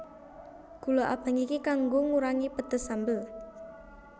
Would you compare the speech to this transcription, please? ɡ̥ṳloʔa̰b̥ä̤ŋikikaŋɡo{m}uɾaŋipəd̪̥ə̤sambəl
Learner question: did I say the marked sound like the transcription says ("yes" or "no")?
no